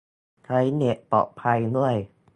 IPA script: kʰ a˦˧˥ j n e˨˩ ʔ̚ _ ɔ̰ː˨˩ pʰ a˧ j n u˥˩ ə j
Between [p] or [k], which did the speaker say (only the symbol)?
p